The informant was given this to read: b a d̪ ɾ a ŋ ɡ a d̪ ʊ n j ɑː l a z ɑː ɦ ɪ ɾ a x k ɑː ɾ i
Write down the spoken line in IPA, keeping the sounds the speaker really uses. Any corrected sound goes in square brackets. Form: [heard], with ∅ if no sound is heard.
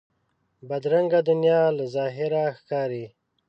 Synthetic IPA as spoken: b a d̪ ɾ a ŋ ɡ a d̪ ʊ n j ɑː l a z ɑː ɦ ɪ ɾ a x k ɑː ɾ i